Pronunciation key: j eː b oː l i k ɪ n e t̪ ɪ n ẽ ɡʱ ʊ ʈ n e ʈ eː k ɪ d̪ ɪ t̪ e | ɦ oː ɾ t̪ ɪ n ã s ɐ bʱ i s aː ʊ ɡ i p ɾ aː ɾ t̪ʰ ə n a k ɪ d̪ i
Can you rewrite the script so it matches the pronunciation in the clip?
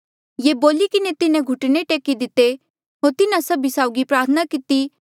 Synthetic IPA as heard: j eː b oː l i k ɪ n e t̪ ɪ n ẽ ɡʱ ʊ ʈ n e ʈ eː k i d̪ ɪ t̪ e | ɦ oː ɾ t̪ ɪ n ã s ɐ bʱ i s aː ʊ ɡ i p ɾ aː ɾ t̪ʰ ə n a k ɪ t̪ i